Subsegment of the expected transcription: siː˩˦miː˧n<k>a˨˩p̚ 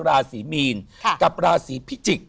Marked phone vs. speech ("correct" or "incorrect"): correct